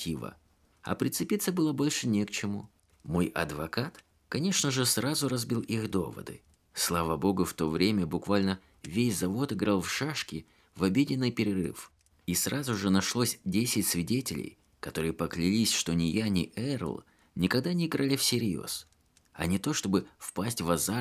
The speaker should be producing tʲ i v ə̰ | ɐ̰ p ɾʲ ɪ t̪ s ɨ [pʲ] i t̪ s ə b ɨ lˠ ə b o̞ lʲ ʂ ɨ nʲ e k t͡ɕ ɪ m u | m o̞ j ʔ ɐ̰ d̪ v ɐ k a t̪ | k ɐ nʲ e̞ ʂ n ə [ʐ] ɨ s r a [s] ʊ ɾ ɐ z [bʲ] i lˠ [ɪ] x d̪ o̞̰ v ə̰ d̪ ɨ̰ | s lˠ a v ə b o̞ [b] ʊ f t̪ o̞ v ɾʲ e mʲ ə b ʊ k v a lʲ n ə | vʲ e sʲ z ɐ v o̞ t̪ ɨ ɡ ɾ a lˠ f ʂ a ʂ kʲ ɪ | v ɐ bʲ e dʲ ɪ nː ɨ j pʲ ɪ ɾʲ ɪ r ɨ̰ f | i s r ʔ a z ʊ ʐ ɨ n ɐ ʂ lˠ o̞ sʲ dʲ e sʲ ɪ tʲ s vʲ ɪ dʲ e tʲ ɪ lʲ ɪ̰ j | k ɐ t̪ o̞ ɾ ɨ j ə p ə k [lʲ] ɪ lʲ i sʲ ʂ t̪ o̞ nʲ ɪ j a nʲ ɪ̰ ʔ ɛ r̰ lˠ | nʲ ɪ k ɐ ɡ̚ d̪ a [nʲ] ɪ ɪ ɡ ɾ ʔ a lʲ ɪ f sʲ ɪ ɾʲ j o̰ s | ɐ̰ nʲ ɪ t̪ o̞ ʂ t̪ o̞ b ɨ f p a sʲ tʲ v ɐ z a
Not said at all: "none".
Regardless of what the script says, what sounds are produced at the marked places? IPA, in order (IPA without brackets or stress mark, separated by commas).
pʲ, ʐ, z, bʲ, i, ɡ, lʲ, nʲ